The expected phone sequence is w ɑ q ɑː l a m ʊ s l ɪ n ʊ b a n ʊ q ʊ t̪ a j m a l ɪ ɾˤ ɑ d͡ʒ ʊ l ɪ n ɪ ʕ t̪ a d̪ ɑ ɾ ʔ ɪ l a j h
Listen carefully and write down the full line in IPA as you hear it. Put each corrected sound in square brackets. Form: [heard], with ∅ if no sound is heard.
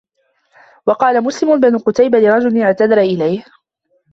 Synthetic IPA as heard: w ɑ q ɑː l a m ʊ s l ɪ [m] ʊ b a n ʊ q ʊ t̪ a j [b] a l ɪ ɾˤ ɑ d͡ʒ ʊ l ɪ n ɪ ʕ t̪ a d̪ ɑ ɾ ʔ ɪ l a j h

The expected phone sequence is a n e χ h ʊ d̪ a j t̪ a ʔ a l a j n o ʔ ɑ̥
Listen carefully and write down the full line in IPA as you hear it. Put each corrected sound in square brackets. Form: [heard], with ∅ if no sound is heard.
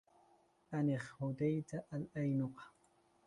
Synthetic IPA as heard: a n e χ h ʊ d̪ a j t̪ a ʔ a l a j n o [q] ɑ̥

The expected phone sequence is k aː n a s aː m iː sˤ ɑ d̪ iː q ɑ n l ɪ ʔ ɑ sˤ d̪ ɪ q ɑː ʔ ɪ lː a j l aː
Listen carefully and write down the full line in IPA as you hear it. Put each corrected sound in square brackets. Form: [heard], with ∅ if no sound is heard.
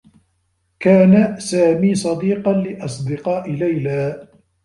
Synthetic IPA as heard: k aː n a s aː m iː sˤ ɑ d̪ iː q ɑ n l ɪ ʔ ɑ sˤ d̪ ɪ q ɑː ʔ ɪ [l] a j l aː

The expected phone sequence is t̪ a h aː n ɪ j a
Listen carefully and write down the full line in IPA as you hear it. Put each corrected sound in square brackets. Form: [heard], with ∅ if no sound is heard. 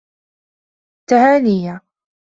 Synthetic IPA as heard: t̪ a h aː n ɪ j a

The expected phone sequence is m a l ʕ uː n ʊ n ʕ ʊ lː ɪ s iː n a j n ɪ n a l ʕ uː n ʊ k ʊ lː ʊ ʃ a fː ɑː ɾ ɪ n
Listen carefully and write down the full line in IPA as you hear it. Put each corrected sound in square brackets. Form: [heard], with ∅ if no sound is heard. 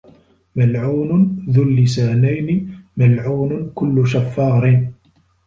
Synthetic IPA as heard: m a l ʕ uː n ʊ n [ð] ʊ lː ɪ s [aː] n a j n ɪ [m] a l ʕ uː n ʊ k ʊ lː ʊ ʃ a fː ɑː ɾ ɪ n

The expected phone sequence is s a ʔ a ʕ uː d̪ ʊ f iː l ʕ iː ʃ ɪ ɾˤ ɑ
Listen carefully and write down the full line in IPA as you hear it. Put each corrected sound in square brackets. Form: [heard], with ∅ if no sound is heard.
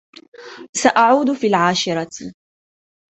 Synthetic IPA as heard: s a ʔ a ʕ uː d̪ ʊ f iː l ʕ [aː] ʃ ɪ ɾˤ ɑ

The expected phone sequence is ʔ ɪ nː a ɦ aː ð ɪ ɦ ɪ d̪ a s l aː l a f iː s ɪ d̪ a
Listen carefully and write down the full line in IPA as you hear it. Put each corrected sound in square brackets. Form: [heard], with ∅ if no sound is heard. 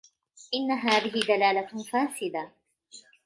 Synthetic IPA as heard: ʔ ɪ nː a ɦ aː ð ɪ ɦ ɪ d̪ a [∅] l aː l a f [aː] s ɪ d̪ a

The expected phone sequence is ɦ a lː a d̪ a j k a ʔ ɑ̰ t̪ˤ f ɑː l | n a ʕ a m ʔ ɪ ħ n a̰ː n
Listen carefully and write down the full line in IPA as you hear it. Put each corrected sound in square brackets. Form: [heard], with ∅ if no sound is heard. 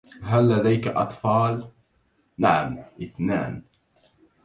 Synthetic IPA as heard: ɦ a lː a d̪ a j k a ʔ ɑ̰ t̪ˤ f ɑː l | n a ʕ a m ʔ ɪ [θ] n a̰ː n

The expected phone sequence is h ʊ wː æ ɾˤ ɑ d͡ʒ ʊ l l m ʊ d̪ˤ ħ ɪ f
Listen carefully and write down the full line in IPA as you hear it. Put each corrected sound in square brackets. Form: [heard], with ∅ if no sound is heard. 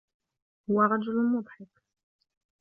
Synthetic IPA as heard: h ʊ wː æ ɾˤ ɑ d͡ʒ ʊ l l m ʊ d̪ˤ ħ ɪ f

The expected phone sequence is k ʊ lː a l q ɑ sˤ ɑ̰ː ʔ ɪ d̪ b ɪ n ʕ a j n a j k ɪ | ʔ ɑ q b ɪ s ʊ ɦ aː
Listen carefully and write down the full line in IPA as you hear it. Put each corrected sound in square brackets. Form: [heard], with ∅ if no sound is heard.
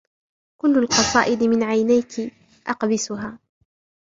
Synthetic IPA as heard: k ʊ lː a l q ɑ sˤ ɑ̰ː ʔ ɪ d̪ [m] ɪ n ʕ a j n a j k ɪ | ʔ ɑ q b ɪ s ʊ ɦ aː

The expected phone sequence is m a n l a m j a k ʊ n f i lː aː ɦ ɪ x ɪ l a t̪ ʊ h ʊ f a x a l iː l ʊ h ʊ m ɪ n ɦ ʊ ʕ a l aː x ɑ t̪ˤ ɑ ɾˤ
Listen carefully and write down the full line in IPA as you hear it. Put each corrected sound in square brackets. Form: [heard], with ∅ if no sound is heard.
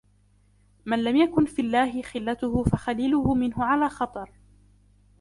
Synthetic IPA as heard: m a n l a m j a k ʊ n f i lː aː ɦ ɪ x ɪ [lː] a t̪ ʊ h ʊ f a x a l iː l ʊ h ʊ m ɪ n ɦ ʊ ʕ a l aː x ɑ t̪ˤ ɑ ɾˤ

